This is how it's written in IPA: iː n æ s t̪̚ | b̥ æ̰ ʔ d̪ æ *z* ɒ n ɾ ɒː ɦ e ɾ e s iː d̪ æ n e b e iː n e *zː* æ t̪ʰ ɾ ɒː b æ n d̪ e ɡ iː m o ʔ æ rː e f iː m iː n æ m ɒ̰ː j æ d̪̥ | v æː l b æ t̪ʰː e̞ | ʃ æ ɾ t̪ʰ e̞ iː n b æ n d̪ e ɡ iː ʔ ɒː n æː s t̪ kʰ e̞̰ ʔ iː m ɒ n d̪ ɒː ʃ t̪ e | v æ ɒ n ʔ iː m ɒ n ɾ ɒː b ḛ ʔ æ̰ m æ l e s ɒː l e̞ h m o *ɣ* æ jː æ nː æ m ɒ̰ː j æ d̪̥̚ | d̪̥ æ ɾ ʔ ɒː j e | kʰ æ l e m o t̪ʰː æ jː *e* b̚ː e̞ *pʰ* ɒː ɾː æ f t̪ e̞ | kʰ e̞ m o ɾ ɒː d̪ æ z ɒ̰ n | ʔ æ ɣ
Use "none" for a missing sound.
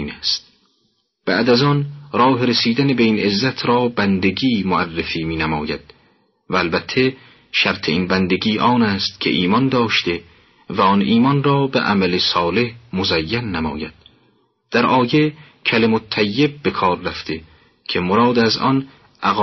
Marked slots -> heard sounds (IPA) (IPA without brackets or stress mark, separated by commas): z, zː, z, e, kʰ